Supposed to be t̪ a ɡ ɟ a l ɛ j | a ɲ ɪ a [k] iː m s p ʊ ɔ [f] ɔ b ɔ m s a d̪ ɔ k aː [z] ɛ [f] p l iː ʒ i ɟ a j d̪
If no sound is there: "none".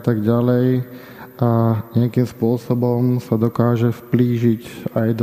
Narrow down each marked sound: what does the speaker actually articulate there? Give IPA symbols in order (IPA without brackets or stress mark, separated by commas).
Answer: k, s, ʒ, f